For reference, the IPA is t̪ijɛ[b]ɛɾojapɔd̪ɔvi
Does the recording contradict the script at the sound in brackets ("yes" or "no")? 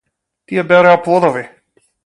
no